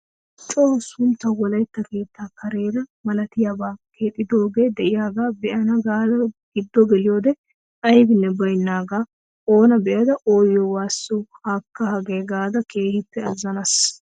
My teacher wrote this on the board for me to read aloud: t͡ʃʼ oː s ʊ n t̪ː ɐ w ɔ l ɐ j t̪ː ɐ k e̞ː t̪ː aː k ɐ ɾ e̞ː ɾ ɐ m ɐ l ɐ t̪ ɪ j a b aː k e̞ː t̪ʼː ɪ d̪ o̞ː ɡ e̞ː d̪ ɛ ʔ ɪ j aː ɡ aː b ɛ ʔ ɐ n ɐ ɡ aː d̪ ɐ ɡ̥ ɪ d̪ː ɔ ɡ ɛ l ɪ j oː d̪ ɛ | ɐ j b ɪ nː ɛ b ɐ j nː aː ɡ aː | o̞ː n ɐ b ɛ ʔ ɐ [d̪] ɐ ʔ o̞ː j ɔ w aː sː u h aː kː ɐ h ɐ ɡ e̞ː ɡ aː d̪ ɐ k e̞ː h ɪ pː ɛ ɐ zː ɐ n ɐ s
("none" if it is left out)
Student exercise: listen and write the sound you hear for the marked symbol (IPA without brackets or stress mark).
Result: d̪